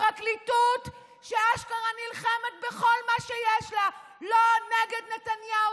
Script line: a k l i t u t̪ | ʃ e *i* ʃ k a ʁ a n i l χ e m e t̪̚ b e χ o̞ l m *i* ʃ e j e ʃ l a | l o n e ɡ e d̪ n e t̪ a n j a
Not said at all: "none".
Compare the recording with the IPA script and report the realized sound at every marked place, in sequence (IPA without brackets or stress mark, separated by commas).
a, a